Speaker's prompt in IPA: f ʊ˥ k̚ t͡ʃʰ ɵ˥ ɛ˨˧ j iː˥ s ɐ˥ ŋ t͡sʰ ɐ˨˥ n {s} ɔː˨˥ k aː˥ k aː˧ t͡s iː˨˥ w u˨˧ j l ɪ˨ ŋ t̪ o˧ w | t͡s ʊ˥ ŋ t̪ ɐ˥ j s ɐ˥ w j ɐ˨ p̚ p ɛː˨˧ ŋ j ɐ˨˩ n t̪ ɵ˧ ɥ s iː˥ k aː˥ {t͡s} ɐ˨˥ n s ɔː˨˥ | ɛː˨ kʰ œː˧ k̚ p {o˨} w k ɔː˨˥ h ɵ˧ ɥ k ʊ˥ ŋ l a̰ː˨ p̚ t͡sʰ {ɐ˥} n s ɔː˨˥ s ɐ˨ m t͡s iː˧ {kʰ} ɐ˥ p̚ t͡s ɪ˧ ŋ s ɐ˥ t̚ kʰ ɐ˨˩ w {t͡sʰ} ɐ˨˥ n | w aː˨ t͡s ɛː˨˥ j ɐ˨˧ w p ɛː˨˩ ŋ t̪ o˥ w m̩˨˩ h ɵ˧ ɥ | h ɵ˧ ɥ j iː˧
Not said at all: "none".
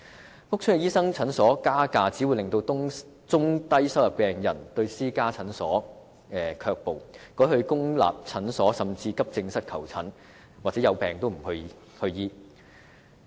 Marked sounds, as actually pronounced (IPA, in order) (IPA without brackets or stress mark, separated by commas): s, t͡sʰ, o˨, ɐ˨˥, k, t͡sʰ